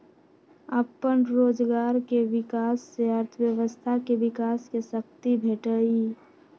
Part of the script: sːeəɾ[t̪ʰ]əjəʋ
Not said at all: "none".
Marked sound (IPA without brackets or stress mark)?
t̪ʰ